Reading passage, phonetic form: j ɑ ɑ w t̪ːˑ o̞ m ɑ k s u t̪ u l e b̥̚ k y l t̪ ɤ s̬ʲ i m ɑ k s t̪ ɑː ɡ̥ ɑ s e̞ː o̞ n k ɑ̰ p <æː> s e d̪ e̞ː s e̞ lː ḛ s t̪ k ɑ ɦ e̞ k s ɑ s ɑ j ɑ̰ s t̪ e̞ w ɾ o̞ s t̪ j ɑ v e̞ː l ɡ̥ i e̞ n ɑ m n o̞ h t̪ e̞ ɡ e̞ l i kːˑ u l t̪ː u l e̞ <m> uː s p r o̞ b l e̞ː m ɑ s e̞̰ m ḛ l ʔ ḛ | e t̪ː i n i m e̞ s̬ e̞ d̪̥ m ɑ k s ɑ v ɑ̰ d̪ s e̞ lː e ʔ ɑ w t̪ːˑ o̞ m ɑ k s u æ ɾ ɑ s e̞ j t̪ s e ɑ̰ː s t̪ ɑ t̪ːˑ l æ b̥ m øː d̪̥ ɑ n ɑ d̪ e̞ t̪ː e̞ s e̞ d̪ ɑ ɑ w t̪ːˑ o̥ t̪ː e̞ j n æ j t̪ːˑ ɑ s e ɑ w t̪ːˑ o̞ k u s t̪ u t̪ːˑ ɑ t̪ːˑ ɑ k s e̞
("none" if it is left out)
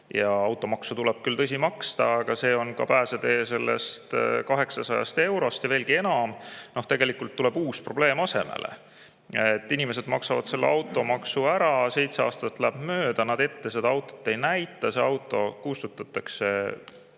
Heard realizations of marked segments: æː, b

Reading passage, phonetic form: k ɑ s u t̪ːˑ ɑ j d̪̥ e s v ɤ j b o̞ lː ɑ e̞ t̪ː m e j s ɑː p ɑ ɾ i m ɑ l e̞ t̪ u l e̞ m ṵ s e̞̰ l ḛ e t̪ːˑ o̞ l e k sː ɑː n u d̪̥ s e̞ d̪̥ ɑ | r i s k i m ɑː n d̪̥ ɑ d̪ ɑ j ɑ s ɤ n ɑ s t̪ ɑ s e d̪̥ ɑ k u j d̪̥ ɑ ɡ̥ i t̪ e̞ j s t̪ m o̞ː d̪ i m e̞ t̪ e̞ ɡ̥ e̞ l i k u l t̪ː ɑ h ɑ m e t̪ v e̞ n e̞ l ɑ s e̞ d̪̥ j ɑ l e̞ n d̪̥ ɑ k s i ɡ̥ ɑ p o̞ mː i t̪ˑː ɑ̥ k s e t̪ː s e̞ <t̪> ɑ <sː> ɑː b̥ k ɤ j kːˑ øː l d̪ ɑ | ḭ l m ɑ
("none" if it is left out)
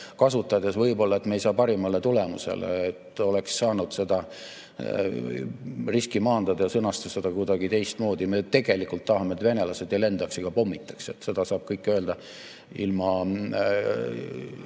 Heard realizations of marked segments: d̪, s

